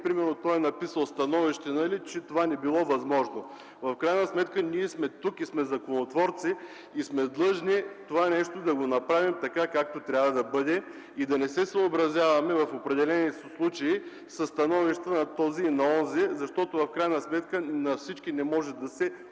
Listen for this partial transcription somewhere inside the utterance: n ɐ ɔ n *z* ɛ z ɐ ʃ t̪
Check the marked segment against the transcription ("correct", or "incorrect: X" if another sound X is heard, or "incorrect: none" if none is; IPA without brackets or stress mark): correct